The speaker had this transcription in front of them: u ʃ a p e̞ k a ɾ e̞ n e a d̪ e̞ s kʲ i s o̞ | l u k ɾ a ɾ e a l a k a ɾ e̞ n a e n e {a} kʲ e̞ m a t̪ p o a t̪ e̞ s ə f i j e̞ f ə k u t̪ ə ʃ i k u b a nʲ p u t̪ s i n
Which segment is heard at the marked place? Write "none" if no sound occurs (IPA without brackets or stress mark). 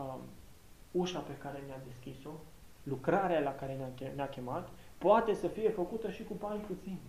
a